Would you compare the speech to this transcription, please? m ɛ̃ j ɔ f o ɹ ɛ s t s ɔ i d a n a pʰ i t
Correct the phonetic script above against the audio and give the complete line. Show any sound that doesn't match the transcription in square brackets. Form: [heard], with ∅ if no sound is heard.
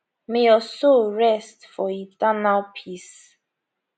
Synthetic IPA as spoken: m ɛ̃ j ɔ [s] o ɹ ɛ s t [f] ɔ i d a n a pʰ i [s]